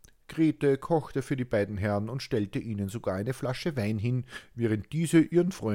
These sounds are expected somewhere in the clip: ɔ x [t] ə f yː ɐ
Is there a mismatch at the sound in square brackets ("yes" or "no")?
no